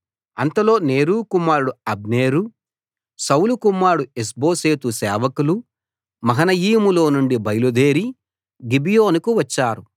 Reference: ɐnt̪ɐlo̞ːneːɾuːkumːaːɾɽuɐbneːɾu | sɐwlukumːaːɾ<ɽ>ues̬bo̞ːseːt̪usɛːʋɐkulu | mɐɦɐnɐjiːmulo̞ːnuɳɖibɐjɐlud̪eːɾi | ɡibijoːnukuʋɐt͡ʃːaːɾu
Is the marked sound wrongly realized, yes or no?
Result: no